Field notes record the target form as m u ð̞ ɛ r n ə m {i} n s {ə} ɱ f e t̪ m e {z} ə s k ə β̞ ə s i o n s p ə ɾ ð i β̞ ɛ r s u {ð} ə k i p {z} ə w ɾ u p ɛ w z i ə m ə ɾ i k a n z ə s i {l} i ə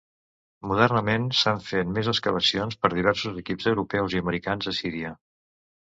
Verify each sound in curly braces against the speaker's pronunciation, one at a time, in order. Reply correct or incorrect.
incorrect: e, incorrect: a, correct, incorrect: z, correct, incorrect: ɾ

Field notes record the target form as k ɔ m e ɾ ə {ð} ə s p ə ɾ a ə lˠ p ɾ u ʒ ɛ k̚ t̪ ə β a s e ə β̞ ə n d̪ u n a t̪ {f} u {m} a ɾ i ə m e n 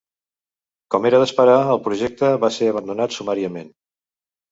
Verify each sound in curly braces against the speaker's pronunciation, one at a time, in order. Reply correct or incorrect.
correct, incorrect: s, correct

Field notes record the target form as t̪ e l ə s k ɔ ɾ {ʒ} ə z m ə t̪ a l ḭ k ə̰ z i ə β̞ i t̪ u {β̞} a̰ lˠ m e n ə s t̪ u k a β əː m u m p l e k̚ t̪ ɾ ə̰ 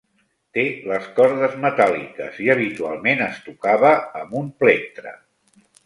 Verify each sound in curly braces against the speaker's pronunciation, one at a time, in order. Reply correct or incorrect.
incorrect: ð, incorrect: none

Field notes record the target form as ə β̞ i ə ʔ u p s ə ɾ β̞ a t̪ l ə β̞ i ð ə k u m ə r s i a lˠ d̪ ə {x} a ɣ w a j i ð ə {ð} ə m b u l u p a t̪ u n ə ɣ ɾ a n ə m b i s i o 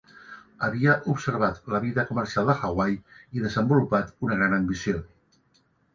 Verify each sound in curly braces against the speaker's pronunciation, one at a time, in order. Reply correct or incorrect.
correct, incorrect: z

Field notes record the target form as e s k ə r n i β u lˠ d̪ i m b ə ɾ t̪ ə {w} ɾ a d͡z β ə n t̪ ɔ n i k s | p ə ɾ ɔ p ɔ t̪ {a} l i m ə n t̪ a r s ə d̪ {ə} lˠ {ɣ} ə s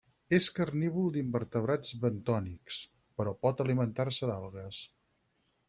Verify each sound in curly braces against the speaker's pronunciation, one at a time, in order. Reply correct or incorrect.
incorrect: β, incorrect: ə, incorrect: a, correct

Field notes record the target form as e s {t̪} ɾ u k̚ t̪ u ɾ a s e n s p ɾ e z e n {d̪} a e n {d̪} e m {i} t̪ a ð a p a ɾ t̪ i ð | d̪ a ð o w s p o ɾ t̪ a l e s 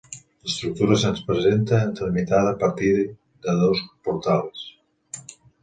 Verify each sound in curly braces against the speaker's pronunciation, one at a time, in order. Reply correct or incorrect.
correct, incorrect: t̪, incorrect: t̪, correct

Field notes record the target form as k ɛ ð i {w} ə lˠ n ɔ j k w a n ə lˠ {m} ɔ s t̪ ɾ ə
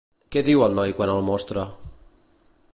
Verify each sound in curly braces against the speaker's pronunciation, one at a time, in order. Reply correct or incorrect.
correct, correct

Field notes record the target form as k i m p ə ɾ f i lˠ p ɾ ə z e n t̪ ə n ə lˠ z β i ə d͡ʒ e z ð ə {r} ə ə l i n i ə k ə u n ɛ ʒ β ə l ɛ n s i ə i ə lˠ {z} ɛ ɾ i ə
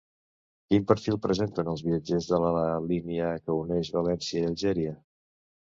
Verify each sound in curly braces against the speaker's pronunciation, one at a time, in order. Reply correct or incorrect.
incorrect: l, incorrect: ʒ

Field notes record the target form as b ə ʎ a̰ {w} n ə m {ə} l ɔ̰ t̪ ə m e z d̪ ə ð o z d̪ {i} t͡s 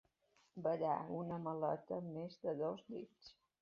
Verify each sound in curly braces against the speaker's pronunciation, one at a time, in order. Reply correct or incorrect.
incorrect: u, correct, correct

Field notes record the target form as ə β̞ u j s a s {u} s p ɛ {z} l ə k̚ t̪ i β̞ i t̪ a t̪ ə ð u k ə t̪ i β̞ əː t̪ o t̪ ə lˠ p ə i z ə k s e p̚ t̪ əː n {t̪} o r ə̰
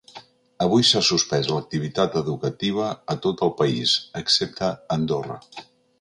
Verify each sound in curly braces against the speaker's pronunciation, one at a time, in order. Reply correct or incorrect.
correct, correct, incorrect: d̪

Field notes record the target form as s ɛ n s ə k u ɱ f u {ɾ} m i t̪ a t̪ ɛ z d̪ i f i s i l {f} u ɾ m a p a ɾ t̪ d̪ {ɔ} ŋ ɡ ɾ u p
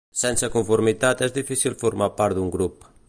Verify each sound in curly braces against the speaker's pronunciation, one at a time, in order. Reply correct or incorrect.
correct, correct, incorrect: u

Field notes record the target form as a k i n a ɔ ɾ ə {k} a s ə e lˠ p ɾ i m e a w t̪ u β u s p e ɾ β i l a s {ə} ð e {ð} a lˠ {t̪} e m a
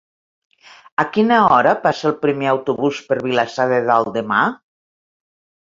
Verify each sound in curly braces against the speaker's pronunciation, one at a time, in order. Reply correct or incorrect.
incorrect: p, incorrect: a, correct, incorrect: d̪

